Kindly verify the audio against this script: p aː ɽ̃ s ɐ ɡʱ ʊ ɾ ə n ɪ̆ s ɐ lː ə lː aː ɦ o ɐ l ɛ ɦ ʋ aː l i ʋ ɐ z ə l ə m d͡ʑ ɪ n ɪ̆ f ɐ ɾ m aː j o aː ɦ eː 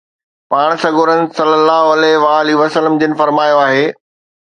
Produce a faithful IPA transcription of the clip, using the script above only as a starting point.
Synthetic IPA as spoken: p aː ɽ̃ s ɐ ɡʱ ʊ ɾ ə n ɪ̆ s ɐ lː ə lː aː ɦ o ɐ l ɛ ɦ ʋ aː l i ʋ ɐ s ə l ə m d͡ʑ ɪ n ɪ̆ f ɐ ɾ m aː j o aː ɦ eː